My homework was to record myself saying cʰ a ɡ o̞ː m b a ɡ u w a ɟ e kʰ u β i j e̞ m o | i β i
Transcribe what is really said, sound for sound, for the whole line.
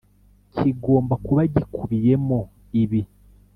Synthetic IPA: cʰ i ɡ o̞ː m b a k u β a ɟ i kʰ u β i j e̞ m o | i β i